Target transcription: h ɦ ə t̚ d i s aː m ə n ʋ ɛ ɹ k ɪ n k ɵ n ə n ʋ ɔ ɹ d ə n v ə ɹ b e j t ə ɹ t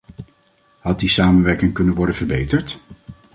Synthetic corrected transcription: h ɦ ɑ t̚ d i s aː m ə n ʋ ɛ ɹ k ɪ ŋ k ɵ n ə n ʋ ɔ ɹ d ə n v ə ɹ b e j t ə ɹ t

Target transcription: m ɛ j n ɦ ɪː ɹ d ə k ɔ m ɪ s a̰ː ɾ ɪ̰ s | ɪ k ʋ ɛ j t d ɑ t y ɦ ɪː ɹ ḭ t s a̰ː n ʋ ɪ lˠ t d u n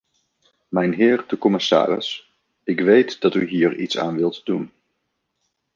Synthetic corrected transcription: m ɛ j n ɦ ɪː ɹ d ə k ɔ m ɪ s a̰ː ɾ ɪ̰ s | ɪ k ʋ e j t d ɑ t y ɦ iː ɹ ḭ t s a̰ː n ʋ ɪ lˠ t d u n

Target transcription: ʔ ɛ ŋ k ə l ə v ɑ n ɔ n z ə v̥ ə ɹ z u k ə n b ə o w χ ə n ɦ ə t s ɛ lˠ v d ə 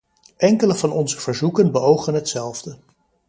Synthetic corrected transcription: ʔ ɛ ŋ k ə l ə v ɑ n ɔ n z ə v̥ ə ɹ z u k ə n b ə o w χ ə n ɦ ə t s ɛ lˠ v d ə

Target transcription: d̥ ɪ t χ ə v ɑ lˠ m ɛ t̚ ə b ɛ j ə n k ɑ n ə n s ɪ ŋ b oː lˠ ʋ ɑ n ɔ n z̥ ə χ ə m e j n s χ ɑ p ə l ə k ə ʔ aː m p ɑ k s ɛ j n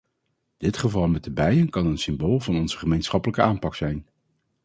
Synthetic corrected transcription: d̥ ɪ t χ ə v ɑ lˠ m ɛ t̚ ə b ɛ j ə n k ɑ n ə n s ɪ m b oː lˠ v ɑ n ɔ n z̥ ə χ ə m e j n s χ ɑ p ə l ə k ə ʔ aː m p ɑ k s ɛ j n

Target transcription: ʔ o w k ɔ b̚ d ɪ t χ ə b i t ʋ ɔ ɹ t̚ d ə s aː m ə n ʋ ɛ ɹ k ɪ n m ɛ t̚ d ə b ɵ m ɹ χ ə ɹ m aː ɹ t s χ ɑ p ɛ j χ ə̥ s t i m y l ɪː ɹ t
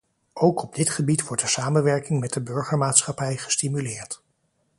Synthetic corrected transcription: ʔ o w k ɔ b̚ d ɪ t χ ə b i t ʋ ɔ ɹ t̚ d ə s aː m ə n ʋ ɛ ɹ k ɪ ŋ m ɛ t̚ d ə b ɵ ɹ χ ə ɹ m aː t s χ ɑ p ɛ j χ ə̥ s t i m y l ɪː ɹ t

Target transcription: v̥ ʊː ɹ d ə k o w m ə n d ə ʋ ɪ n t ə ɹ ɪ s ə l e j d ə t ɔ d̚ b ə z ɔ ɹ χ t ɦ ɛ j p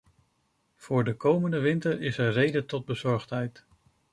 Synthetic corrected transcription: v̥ ʊː ɹ d ə k o w m ə n d ə ʋ ɪ n t ə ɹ ɪ s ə r e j d ə t ɔ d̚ b ə z ɔ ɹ χ t ɦ ɛ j t

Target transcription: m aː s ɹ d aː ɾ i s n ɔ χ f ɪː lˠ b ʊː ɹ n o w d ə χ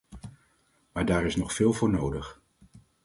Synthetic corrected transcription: m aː ɹ d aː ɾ ɪ s n ɔ χ f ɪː lˠ v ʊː ɹ n o w d ə χ

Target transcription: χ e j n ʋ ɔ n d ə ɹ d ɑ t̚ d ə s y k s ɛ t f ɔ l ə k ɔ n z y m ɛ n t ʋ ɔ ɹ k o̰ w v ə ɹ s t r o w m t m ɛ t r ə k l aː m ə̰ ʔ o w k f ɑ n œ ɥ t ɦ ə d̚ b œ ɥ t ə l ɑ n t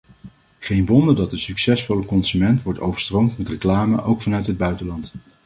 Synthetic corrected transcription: χ e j n ʋ ɔ n d ə ɹ d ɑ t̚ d ə s y k s ɛ s f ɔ l ə k ɔ n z y m ɛ n t ʋ ɔ ɹ t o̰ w v ə ɹ s t r o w m t m ɛ t r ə k l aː m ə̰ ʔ o w k f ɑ n œ ɥ t ɦ ə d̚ b œ ɥ t ə l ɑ n t

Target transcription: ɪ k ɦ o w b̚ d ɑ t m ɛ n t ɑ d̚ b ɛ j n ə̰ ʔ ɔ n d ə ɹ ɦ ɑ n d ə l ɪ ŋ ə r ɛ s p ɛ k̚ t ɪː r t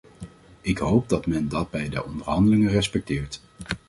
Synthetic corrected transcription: ɪ k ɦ o w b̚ d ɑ t m ɛ n d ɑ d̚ b ɛ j d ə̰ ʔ ɔ n d ə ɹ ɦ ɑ n d ə l ɪ ŋ ə r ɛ s p ɛ k̚ t ɪː ɹ t

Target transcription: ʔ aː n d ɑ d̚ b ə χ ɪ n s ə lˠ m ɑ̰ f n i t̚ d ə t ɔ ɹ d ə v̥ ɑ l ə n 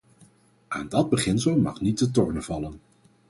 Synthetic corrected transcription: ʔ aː n d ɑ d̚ b ə χ ɪ n s ə lˠ m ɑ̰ χ n i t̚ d ə t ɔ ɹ n ə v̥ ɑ l ə n

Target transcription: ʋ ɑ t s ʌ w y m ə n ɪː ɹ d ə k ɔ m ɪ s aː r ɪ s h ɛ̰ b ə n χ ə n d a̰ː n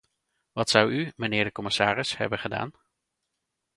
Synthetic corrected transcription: ʋ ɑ t s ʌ w y m ə n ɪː ɹ d ə k ɔ m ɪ s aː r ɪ s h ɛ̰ b ə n χ ə d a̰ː n

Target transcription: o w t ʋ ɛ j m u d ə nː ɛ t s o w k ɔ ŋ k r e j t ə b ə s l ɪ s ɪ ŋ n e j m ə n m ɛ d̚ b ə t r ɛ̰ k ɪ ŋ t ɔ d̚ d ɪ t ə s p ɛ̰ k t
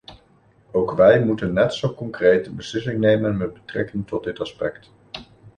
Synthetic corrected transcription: o w k ʋ ɛ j m u t ə nː ɛ t s o w k ɔ ŋ k r e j t ə b ə s l ɪ s ɪ ŋ n e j m ə n m ɛ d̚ b ə t r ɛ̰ k ɪ ŋ t ɔ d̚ d ɪ t ɑ s p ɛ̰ k t

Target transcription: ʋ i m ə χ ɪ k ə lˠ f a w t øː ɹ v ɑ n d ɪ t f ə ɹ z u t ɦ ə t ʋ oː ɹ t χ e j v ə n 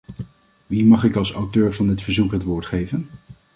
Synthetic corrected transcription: ʋ i m ɑ χ ɪ k ɑ lˠ s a w t øː ɹ v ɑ n d ɪ t f ə ɹ z u k ɦ ə t ʋ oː ɹ t χ e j v ə n

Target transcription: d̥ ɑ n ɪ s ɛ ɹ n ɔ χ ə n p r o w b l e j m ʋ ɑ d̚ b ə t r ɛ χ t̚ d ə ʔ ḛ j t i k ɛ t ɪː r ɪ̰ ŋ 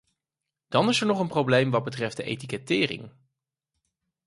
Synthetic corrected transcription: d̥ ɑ n ɪ s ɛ ɹ n ɔ χ ə n p r o w b l e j m ʋ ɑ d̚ b ə t r ɛ f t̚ d ə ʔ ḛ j t i k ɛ t ɪː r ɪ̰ ŋ

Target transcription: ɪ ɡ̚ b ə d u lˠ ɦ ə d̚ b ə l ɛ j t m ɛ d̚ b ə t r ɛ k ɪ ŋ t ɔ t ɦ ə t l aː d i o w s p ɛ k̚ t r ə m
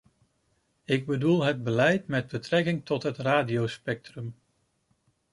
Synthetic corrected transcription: ɪ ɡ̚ b ə d u lˠ ɦ ə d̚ b ə l ɛ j t m ɛ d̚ b ə t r ɛ k ɪ ŋ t ɔ t ɦ ə t r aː d i o w s p ɛ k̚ t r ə m

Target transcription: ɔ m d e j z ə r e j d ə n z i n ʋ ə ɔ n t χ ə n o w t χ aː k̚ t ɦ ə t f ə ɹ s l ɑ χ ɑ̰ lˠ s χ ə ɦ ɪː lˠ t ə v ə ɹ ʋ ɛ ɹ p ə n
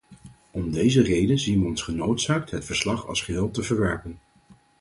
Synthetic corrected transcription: ɔ m d e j z ə r e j d ə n z i n ʋ ə ɔ n s χ ə n o w t s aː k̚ t ɦ ə t f ə ɹ s l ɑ χ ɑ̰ lˠ s χ ə ɦ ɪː lˠ t ə v ə ɹ ʋ ɛ ɹ p ə n

